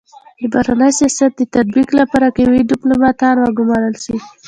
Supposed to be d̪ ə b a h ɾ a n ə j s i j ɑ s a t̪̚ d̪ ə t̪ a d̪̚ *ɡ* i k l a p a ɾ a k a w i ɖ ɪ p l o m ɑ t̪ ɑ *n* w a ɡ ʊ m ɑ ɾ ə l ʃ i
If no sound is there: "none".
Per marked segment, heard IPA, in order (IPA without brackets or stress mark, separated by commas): b, n